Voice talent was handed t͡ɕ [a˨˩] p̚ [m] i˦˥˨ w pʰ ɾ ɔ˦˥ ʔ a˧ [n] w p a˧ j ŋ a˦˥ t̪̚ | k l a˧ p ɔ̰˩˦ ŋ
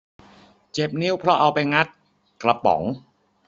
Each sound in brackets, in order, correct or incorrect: incorrect, incorrect, incorrect

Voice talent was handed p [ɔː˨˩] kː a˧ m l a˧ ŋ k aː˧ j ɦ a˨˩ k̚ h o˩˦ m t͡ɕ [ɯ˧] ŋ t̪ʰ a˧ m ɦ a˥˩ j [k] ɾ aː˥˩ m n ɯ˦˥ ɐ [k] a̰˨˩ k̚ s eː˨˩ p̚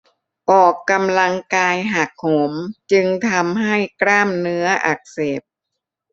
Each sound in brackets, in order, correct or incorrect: correct, correct, correct, incorrect

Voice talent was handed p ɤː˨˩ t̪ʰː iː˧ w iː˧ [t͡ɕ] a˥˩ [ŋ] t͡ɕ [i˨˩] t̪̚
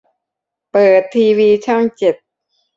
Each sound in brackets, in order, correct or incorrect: incorrect, correct, incorrect

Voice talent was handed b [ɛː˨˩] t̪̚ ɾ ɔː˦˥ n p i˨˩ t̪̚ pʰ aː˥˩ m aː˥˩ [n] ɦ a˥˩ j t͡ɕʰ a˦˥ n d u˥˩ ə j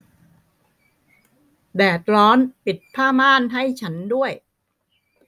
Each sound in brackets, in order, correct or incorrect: correct, correct

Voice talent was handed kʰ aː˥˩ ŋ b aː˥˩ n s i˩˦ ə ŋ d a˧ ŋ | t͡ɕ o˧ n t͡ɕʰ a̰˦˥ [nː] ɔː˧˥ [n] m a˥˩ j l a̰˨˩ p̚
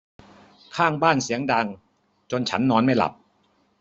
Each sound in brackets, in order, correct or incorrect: correct, correct

